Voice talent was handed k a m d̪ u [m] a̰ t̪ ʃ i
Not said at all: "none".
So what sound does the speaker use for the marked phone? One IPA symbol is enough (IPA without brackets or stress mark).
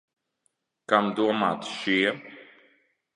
m